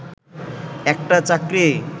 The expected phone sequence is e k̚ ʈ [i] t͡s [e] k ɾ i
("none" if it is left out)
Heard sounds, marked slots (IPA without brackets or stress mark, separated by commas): a, a